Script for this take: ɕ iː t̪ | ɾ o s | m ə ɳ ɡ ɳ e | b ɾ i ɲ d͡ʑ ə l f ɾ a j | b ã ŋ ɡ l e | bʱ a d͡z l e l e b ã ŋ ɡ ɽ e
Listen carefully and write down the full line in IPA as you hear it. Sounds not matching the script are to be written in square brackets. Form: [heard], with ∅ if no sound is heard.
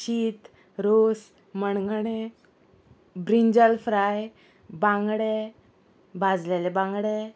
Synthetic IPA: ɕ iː t̪ | ɾ o s | m ə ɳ ɡ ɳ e | b ɾ i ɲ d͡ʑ ə l f ɾ a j | b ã ŋ ɡ [ɽ] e | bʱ a d͡z l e l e b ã ŋ ɡ ɽ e